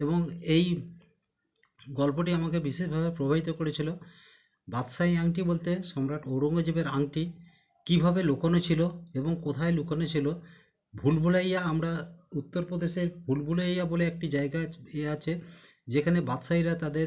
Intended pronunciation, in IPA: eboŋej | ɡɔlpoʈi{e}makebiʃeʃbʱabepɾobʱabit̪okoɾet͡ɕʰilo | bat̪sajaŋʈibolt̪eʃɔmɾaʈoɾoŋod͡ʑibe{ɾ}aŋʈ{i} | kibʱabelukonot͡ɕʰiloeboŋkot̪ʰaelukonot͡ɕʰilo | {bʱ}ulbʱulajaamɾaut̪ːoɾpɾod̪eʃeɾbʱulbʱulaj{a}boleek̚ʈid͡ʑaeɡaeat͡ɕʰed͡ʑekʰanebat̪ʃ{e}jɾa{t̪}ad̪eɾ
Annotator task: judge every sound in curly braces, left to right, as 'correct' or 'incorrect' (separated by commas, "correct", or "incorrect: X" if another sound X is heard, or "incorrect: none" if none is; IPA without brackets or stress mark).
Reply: incorrect: a, correct, correct, correct, correct, incorrect: a, correct